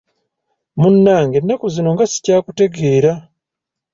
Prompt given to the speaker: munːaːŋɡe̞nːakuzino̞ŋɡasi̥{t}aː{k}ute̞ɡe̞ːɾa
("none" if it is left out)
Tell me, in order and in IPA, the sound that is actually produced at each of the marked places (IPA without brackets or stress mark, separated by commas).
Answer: c, k